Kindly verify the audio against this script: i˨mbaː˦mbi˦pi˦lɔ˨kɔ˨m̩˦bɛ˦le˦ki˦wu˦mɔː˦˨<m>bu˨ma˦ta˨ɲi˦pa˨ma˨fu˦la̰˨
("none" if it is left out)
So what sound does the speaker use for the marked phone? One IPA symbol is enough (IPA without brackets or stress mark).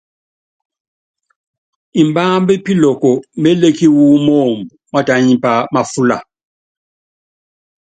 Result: m